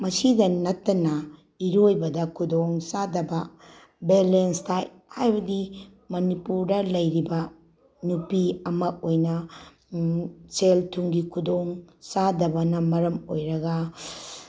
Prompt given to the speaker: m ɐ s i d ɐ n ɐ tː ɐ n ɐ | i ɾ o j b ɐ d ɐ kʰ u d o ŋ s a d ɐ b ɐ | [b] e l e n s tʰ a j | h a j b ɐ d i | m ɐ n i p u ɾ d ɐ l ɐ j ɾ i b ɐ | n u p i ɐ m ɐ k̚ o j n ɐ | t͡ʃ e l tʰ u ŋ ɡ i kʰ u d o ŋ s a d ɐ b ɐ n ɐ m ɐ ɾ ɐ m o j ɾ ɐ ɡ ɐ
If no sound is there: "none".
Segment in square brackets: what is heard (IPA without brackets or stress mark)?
b